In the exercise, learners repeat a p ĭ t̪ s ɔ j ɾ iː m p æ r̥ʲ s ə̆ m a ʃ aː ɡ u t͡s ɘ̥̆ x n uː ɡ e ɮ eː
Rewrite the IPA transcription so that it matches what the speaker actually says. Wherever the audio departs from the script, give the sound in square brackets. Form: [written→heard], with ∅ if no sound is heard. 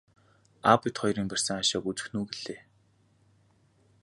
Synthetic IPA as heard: a p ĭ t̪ [s→χ] ɔ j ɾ iː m p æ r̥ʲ s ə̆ [m→ŋ] a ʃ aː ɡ u t͡s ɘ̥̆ x n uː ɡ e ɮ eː